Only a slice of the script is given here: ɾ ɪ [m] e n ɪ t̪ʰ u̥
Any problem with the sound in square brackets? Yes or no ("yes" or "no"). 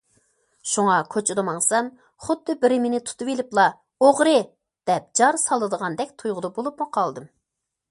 no